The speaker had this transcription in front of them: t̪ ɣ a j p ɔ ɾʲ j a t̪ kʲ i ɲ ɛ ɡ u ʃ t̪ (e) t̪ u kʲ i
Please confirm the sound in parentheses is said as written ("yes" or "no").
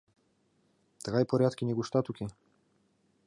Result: no